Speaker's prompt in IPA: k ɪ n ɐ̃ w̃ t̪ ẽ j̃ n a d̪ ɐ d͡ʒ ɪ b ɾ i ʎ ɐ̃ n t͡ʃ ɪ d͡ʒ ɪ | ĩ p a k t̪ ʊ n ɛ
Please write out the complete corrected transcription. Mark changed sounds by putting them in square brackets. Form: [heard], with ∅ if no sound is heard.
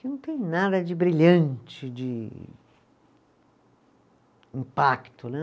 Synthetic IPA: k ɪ n ɐ̃ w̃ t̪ ẽ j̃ n a d̪ ɐ d͡ʒ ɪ b ɾ i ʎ ɐ̃ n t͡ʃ ɪ d͡ʒ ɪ | ĩ p a k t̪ ʊ n ɛ

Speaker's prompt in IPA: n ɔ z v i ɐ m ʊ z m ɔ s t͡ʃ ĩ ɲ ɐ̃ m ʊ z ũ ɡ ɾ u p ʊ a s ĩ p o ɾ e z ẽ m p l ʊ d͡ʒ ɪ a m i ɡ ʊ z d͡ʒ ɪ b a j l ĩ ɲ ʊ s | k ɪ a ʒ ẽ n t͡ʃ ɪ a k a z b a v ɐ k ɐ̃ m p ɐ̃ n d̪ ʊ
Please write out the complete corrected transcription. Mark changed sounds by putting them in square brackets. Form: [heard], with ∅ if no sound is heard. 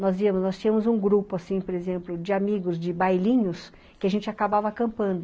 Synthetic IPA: n ɔ z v i ɐ m ʊ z [n] ɔ s t͡ʃ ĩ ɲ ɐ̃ m ʊ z ũ ɡ ɾ u p ʊ a s ĩ p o ɾ e z ẽ m p l ʊ d͡ʒ ɪ a m i ɡ ʊ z d͡ʒ ɪ b a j l ĩ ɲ ʊ s | k ɪ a ʒ ẽ n t͡ʃ ɪ a k a [∅] b a v ɐ k ɐ̃ m p ɐ̃ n d̪ ʊ

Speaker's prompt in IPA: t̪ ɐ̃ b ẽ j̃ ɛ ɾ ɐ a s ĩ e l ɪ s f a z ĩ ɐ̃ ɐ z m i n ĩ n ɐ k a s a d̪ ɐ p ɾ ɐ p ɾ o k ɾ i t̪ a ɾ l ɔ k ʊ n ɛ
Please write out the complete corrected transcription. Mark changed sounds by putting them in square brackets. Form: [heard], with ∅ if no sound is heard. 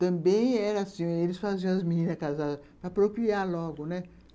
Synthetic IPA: t̪ ɐ̃ b ẽ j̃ ɛ ɾ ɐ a s ĩ e l ɪ s f a z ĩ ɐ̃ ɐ z m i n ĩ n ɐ k a [z] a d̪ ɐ p ɾ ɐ p ɾ o k ɾ i [∅] a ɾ l ɔ [ɡ] ʊ n ɛ

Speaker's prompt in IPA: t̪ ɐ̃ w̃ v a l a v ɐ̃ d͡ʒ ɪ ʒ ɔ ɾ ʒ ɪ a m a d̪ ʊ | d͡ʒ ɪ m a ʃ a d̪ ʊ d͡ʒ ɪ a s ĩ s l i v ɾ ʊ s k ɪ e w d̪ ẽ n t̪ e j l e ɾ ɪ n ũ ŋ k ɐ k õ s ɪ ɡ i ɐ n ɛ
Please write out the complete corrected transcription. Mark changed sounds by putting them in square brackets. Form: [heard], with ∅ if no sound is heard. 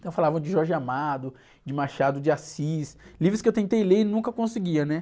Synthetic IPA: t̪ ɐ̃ w̃ [f] a l a v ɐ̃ d͡ʒ ɪ ʒ ɔ ɾ ʒ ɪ a m a d̪ ʊ | d͡ʒ ɪ m a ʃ a d̪ ʊ d͡ʒ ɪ a s [i] s l i v ɾ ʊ s k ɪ e w [t̪] ẽ n t̪ e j l e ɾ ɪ n ũ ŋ k ɐ k õ s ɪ ɡ i ɐ n ɛ

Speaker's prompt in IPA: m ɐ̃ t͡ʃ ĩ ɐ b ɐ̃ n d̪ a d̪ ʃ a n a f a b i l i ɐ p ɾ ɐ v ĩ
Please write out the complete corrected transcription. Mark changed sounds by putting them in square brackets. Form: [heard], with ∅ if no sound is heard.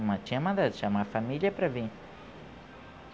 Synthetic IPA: m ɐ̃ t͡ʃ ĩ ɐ [m] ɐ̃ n d̪ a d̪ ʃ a [m] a f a [m] i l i ɐ p ɾ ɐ v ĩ

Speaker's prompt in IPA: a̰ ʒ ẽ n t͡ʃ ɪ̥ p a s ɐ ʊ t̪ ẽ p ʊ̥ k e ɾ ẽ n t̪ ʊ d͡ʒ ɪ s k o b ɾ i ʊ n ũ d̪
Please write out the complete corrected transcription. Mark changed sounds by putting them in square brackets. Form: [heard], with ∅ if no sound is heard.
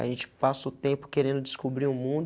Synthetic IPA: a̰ ʒ ẽ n t͡ʃ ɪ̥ p a s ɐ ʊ t̪ ẽ p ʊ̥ k e ɾ ẽ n [d̪] ʊ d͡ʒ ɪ s k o b ɾ i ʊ [m] ũ d̪

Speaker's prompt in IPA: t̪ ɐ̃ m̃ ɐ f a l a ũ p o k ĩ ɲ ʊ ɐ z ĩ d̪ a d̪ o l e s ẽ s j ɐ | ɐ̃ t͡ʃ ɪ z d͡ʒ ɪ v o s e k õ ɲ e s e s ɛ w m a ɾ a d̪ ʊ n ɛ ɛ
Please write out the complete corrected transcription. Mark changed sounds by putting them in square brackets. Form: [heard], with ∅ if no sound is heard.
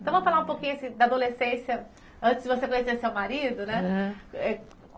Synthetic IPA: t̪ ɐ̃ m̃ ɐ f a l a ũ p o k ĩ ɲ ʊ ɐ [s] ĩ d̪ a d̪ o l e s ẽ s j ɐ | ɐ̃ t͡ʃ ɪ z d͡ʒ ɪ v o s e k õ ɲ e s e s [e] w m a ɾ [i] d̪ ʊ n ɛ ɛ

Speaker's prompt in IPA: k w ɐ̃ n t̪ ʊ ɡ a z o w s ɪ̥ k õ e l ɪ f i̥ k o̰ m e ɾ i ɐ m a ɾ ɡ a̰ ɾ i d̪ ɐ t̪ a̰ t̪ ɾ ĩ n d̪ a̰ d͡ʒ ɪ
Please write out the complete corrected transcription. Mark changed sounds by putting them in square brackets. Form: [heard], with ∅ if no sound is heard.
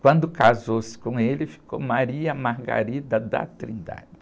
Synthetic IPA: k w ɐ̃ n [d̪] ʊ [k] a z o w s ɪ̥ k õ e l ɪ f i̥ k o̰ m [a] ɾ i ɐ m a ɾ ɡ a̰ ɾ i d̪ ɐ [d̪] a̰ t̪ ɾ ĩ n d̪ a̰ d͡ʒ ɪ

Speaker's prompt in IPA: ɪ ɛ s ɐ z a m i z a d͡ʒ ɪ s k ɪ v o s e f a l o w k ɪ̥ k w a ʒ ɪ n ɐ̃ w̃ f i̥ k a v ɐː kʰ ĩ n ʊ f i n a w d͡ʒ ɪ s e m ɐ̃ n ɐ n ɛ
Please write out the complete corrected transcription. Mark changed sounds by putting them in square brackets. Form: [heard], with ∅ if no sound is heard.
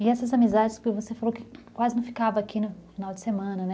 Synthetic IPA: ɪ ɛ s ɐ z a m i z a d͡ʒ ɪ s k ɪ v o s e f a l o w k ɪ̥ k w a [z] ɪ n ɐ̃ w̃ f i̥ k a v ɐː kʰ [i] n ʊ f i n a w d͡ʒ ɪ s e m ɐ̃ n ɐ n ɛ

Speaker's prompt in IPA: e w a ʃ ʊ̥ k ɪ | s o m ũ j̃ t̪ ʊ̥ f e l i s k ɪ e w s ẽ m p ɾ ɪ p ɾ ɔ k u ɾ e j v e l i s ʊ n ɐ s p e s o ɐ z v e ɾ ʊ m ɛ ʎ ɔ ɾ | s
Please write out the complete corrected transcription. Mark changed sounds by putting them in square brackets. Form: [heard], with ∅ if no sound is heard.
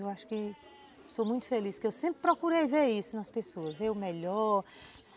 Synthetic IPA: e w a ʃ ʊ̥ k ɪ | s o m ũ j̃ t̪ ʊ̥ f e l i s k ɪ e w s ẽ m p ɾ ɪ p ɾ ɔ k u ɾ e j v e [ɾ] i s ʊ n ɐ s p e s o ɐ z v e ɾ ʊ m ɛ ʎ ɔ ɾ | s

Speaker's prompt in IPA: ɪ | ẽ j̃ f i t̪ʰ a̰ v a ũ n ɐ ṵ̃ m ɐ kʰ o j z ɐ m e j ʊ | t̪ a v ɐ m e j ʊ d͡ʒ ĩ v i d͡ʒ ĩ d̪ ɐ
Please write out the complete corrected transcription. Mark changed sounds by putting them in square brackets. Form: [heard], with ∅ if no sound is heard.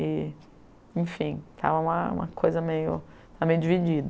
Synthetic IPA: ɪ | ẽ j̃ f [ĩ] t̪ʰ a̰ v [ɐ] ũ [m] ɐ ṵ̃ m ɐ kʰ o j z ɐ m e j ʊ | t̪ a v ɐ m e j ʊ d͡ʒ [i] v i d͡ʒ [i] d̪ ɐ

